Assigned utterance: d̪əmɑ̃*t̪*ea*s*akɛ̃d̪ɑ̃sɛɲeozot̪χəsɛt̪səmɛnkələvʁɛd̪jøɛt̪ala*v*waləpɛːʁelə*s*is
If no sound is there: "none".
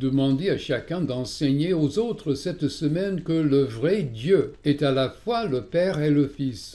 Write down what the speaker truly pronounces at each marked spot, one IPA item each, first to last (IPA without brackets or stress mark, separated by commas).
d̪, ʃ, f, f